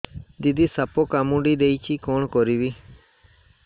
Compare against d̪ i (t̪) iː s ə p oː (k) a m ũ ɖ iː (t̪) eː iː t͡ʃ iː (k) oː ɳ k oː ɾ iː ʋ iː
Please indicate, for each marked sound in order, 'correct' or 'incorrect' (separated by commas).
incorrect, correct, incorrect, correct